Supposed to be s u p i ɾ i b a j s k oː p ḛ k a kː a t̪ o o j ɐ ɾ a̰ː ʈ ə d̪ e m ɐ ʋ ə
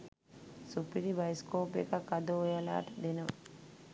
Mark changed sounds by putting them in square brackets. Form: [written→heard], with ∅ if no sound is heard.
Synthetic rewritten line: s u p i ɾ i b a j s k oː p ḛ k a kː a [t̪→d̪] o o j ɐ [ɾ→l] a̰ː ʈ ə d̪ e [m→n] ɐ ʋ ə

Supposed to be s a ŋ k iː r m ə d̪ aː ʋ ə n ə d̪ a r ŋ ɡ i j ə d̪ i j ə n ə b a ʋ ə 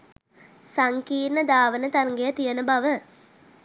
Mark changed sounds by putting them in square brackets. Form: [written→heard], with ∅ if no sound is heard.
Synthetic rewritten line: s a ŋ k iː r [m→n] ə d̪ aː ʋ ə n ə [d̪→t̪] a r ŋ ɡ [i→e] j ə [d̪→t̪] i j ə n ə b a ʋ ə

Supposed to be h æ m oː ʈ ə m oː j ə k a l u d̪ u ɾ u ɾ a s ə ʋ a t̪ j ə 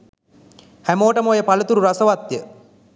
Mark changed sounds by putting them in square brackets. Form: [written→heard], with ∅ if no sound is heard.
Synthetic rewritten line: h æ m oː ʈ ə m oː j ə [k→p] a l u [d̪→t̪] u ɾ u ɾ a s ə ʋ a t̪ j ə

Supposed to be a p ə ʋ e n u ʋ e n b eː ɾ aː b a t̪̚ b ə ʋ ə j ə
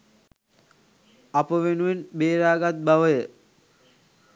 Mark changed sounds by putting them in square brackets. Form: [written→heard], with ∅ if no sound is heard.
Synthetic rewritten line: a p ə ʋ e n u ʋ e n b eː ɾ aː [b→ɡ] a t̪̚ b [ə→a] ʋ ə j ə

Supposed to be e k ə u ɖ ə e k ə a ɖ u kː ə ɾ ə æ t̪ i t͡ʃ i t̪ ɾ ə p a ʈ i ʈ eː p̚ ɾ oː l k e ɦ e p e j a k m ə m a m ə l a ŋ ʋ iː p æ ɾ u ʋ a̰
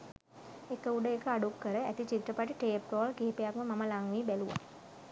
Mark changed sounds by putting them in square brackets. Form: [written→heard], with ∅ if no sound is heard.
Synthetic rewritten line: e k ə u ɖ ə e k ə a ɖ u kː ə ɾ ə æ t̪ i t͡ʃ i t̪ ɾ ə p a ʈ i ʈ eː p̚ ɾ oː l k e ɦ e p e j a k m ə m a m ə l a ŋ ʋ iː [p→b] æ [ɾ→l] u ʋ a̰

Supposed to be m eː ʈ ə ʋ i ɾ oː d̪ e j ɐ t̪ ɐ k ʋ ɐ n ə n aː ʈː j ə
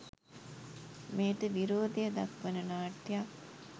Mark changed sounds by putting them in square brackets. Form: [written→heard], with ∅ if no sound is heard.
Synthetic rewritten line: m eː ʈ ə ʋ i ɾ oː d̪ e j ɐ [t̪→d̪] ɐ k ʋ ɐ n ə n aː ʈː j [ə→a]

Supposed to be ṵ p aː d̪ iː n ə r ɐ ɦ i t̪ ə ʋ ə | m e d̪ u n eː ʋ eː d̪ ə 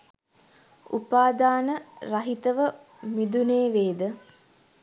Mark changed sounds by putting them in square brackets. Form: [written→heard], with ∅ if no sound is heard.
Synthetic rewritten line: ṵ p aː d̪ [iː→aː] n ə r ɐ ɦ i t̪ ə ʋ ə | m [e→i] d̪ u n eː ʋ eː d̪ ə

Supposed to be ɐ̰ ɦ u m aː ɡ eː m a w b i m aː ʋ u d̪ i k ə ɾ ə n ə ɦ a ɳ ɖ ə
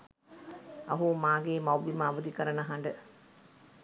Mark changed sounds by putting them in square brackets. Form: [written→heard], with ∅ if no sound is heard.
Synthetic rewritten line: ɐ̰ ɦ u m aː ɡ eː m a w b i m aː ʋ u d̪ i k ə ɾ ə n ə ɦ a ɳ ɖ ə

